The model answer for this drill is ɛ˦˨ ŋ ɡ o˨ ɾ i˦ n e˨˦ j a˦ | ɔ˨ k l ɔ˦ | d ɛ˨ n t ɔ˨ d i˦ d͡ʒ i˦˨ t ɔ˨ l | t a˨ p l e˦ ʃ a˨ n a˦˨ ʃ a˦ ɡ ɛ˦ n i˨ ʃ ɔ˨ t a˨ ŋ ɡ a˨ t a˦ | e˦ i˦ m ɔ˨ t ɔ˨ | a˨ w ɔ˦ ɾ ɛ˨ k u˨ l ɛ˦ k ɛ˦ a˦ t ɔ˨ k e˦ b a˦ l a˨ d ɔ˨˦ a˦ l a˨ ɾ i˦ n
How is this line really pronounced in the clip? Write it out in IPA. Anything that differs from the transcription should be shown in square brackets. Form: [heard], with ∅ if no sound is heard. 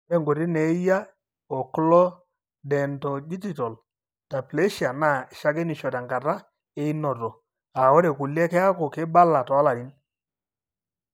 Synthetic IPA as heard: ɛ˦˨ ŋ ɡ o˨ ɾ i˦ n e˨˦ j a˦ | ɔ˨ k l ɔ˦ | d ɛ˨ n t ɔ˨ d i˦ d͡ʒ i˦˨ t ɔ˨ l | t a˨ p l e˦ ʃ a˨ n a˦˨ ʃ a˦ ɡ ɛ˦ n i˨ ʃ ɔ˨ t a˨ ŋ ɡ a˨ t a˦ | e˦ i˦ [n] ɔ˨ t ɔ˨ | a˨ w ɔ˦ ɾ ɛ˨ k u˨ l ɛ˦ k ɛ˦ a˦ [k] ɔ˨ k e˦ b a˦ l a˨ [t] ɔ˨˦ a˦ l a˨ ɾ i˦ n

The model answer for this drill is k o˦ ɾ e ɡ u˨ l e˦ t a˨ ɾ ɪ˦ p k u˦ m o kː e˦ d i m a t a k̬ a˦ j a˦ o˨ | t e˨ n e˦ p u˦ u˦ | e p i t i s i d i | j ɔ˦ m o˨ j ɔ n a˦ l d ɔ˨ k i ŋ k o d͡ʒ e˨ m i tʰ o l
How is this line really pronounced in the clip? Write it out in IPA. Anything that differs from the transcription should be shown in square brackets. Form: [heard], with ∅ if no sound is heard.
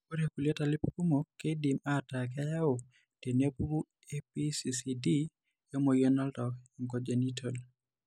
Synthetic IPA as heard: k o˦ ɾ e [k] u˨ l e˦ t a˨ [l] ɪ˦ p k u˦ m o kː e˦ d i m a t a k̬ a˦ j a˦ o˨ | t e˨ n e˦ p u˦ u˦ | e p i [s] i s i d i | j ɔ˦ m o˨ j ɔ n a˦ l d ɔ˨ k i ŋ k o d͡ʒ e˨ [n] i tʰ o l

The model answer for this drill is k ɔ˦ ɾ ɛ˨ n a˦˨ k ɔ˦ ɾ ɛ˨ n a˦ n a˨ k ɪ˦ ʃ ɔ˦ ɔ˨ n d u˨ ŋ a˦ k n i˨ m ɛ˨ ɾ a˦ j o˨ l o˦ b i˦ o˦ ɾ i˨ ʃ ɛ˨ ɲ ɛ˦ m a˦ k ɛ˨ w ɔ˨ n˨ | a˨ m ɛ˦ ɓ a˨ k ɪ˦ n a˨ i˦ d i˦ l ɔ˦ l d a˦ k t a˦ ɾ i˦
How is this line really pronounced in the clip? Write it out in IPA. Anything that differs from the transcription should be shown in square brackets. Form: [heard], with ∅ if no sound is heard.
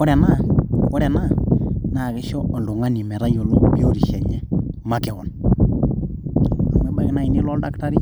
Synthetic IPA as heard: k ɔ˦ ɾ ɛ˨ n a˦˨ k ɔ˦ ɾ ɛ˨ n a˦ n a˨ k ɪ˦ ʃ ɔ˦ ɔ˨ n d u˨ ŋ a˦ [∅] n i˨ m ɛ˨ ɾ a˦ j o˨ l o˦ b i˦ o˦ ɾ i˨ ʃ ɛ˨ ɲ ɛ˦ m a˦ k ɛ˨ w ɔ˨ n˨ | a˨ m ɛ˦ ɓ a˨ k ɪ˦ n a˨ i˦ [n] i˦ l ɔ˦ l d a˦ k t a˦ ɾ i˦

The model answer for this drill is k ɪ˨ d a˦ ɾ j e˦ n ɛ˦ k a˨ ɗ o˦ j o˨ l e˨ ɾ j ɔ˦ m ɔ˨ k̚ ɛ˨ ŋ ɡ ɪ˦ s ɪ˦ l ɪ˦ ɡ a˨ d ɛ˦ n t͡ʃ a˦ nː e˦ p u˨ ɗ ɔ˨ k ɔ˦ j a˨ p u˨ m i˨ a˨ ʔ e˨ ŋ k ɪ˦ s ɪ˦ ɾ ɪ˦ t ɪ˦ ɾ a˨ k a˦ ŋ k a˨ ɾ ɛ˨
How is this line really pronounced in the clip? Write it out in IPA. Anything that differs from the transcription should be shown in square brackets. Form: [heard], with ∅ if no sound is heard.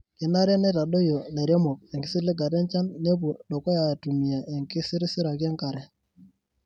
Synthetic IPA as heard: k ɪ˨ [n] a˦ ɾ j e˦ n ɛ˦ [t] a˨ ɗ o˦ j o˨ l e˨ ɾ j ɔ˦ m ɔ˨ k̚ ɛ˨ ŋ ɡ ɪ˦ s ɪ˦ l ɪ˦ ɡ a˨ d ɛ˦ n t͡ʃ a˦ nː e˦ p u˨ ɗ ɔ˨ k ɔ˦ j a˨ [t] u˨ m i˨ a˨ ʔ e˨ ŋ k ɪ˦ s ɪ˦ ɾ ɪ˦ [s] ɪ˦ ɾ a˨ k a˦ ŋ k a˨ ɾ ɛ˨

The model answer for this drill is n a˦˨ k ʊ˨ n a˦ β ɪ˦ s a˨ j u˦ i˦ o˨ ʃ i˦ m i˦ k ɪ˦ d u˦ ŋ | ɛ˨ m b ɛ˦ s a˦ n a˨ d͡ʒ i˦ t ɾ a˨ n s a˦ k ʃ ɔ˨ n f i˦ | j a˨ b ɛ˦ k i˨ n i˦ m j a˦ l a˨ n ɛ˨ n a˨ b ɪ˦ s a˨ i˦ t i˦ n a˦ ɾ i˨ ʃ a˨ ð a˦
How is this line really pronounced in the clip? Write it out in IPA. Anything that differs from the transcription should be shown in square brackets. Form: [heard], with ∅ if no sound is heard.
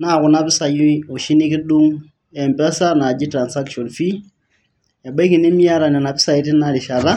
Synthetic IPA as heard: n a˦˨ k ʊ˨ n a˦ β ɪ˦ s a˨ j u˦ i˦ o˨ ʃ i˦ [n] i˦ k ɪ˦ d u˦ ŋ | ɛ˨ m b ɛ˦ s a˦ n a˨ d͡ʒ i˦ t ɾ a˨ n s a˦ k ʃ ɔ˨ n f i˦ | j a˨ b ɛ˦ k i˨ n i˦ m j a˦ [ɾ] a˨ n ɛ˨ n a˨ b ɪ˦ s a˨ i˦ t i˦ n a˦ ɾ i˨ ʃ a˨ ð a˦

